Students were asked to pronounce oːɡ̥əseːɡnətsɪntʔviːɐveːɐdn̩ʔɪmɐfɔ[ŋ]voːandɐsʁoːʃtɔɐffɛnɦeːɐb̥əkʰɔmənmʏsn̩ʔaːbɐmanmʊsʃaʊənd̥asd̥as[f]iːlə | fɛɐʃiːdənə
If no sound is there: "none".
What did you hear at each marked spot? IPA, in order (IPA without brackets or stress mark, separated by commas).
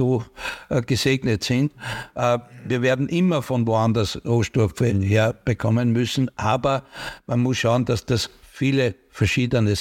n, f